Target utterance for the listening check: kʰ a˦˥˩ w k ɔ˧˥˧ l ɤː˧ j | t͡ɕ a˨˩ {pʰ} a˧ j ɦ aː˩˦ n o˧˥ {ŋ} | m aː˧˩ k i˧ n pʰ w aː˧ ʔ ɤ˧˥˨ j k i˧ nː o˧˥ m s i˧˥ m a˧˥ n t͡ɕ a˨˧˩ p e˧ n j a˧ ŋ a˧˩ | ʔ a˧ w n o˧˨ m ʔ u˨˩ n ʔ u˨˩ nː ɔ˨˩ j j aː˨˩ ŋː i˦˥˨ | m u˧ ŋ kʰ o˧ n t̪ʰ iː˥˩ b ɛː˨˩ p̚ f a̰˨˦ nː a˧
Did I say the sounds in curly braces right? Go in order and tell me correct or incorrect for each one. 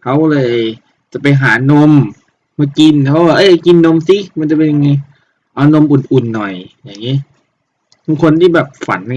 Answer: incorrect: p, incorrect: m

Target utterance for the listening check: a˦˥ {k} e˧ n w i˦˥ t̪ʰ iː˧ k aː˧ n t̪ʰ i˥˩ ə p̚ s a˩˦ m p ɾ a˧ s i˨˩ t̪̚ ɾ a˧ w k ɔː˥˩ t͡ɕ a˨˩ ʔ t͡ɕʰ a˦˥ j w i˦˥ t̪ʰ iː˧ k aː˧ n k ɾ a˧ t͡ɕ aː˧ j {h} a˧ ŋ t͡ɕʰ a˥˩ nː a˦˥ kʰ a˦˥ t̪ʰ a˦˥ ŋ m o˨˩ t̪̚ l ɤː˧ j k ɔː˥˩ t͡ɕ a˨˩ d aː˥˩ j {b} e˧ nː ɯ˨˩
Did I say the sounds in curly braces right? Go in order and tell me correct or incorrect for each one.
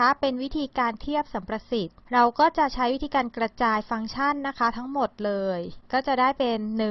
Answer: incorrect: p, incorrect: f, incorrect: p

